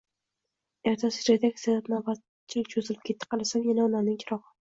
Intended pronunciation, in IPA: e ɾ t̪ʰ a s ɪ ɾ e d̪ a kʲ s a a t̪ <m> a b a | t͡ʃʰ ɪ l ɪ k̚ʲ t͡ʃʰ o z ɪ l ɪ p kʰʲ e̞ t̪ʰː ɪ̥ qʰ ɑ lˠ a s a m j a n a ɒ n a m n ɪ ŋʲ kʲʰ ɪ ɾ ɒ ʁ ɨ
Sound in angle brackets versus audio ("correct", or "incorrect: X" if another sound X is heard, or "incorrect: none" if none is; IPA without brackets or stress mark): incorrect: n